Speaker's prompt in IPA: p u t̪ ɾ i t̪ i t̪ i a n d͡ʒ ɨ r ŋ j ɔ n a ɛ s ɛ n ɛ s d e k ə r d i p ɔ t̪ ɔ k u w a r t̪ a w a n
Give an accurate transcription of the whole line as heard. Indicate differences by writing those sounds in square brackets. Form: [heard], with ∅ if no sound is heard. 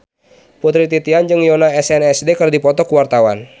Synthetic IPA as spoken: p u t̪ ɾ i t̪ i t̪ i a n d͡ʒ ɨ [∅] ŋ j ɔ n a ɛ s ɛ n ɛ s d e k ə r d i p ɔ t̪ ɔ k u w a r t̪ a w a n